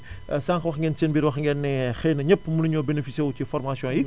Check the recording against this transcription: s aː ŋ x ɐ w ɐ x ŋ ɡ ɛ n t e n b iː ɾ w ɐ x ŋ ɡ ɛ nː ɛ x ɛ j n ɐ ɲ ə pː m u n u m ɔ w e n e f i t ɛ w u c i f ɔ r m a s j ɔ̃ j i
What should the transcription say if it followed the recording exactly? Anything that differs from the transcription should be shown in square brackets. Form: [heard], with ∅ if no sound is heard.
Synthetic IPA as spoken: s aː ŋ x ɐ w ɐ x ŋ ɡ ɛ n [s] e n b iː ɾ w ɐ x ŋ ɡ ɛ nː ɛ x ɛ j n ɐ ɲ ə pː m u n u [ɲ] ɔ [b] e n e f i [s] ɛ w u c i f ɔ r m a s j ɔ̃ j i